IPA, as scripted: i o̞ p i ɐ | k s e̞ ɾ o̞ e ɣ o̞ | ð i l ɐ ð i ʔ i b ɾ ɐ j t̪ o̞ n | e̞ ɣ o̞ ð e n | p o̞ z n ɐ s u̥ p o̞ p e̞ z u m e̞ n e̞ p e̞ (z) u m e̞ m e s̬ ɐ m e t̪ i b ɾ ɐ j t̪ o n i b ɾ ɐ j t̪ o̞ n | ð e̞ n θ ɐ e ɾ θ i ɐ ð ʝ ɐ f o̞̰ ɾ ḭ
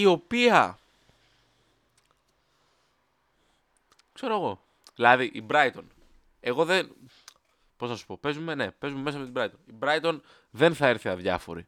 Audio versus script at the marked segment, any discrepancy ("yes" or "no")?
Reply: no